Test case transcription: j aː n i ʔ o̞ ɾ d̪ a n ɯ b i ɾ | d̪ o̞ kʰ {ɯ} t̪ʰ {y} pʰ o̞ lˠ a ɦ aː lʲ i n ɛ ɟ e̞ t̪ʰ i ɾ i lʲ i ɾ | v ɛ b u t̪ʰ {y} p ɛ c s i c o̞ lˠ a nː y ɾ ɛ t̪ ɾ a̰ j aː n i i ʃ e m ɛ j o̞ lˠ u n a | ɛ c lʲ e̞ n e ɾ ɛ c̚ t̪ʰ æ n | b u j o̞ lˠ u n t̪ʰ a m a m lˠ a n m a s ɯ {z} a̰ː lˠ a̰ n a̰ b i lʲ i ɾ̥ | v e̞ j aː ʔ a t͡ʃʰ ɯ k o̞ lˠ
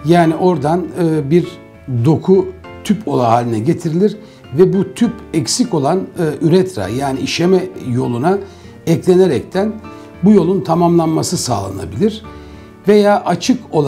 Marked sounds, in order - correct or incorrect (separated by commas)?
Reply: incorrect, correct, correct, incorrect